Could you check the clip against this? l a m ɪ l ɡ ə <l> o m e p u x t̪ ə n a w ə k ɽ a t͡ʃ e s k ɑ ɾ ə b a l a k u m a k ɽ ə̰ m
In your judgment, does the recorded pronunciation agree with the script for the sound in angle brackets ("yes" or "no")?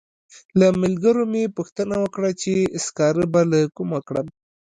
no